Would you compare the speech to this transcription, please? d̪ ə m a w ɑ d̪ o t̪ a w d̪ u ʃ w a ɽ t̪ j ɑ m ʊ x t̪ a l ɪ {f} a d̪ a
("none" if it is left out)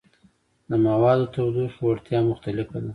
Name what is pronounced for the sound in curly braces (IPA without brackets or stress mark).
f